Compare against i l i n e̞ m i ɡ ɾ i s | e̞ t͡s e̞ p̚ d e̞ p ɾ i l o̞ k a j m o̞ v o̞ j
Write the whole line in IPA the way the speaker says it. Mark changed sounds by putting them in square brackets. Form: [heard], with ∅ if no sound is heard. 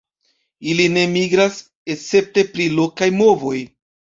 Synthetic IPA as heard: i l i n e̞ m i ɡ ɾ [a] s | e̞ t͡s e̞ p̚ [t] e̞ p ɾ i l o̞ k a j m o̞ v o̞ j